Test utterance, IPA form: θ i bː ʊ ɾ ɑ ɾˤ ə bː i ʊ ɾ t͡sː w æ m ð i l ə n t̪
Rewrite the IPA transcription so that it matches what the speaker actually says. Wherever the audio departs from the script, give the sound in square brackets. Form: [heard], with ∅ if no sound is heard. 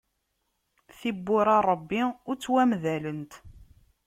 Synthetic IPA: θ i bː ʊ ɾ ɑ ɾˤ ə bː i ʊ ɾ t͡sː w æ m ð [æ] l ə n t̪